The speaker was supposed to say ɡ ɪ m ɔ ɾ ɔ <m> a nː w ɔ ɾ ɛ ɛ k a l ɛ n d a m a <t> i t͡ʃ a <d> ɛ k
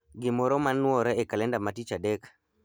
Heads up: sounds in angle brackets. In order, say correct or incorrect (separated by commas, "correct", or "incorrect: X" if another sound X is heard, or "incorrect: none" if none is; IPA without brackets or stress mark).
correct, correct, correct